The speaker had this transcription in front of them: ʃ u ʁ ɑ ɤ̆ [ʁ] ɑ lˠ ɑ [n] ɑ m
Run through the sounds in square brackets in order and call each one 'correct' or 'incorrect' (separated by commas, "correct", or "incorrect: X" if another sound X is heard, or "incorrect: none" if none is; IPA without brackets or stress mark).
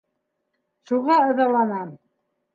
incorrect: ð, correct